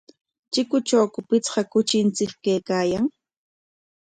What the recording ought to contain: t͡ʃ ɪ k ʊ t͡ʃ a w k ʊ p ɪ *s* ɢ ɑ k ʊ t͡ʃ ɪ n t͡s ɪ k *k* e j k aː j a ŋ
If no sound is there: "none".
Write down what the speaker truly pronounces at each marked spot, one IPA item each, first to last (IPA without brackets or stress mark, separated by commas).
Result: t͡s, k